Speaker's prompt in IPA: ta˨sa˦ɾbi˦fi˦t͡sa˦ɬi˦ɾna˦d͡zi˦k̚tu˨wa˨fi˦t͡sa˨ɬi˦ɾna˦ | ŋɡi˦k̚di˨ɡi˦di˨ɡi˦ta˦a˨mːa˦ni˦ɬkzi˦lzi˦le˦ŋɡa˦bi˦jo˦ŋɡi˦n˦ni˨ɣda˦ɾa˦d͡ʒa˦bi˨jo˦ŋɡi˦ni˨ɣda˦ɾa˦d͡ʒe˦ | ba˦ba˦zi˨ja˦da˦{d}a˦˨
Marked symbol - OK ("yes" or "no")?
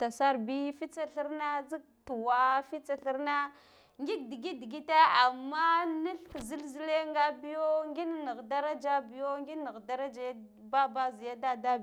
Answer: yes